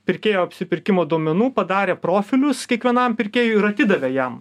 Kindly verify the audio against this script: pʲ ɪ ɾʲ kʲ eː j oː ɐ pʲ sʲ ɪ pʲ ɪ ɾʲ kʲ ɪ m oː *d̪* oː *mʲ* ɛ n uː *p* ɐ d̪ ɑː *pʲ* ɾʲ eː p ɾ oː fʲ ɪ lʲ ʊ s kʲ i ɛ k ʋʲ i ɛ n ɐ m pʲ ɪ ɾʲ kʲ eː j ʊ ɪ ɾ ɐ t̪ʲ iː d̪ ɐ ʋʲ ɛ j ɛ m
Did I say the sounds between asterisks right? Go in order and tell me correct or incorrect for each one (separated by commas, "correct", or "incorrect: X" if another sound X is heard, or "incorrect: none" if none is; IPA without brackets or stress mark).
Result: correct, correct, correct, incorrect: none